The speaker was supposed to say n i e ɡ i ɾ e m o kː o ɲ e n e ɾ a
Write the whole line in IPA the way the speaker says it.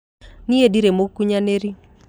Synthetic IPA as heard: n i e d i ɾ e m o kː u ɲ a n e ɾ i